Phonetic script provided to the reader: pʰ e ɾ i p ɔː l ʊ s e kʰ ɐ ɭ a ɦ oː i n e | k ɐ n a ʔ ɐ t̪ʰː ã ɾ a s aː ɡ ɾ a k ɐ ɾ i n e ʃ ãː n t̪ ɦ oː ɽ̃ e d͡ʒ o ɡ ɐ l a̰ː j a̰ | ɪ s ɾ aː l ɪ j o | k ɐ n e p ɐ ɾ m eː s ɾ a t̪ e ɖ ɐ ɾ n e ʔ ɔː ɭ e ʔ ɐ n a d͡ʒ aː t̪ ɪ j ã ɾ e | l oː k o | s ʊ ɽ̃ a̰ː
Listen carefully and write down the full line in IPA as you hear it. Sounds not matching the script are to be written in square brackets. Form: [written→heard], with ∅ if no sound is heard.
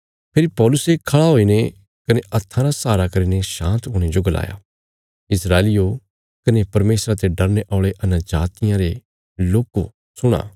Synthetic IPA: pʰ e ɾ i p ɔː l ʊ s e kʰ ɐ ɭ a ɦ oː i n e | k ɐ n [a→e] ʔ ɐ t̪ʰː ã ɾ a s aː [ɡ→∅] ɾ a k ɐ ɾ i n e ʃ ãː n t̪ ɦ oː ɽ̃ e d͡ʒ o ɡ ɐ l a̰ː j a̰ | ɪ s ɾ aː l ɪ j o | k ɐ n e p ɐ ɾ m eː s ɾ a t̪ e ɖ ɐ ɾ n e ʔ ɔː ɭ e ʔ ɐ n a d͡ʒ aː t̪ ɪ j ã ɾ e | l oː k o | s ʊ ɽ̃ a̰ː